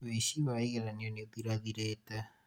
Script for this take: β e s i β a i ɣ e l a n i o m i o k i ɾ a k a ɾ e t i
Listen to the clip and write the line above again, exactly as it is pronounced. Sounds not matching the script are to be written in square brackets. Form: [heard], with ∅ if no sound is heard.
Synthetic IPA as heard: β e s i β a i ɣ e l a n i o [n] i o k i ɾ a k [i] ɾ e t [a]